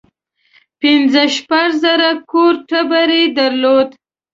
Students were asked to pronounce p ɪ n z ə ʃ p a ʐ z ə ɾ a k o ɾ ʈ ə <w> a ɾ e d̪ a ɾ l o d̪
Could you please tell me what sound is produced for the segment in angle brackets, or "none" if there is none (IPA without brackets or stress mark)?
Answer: b